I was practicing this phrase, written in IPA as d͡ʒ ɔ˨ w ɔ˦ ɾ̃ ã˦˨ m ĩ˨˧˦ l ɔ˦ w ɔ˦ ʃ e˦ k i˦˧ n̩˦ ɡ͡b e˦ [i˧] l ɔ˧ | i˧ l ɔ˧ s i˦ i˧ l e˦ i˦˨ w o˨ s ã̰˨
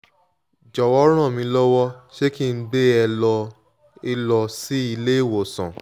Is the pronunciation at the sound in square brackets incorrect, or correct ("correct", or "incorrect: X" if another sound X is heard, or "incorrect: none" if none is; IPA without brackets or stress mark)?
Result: incorrect: ɛ˧